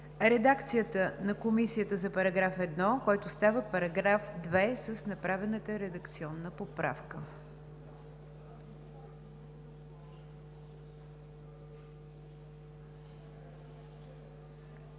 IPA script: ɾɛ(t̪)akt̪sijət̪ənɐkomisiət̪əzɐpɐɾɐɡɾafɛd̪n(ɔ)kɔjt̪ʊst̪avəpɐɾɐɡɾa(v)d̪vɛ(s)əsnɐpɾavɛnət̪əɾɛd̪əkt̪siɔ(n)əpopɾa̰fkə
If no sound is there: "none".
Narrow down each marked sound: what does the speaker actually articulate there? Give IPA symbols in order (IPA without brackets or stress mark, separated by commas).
d̪, ɔ, f, s, nː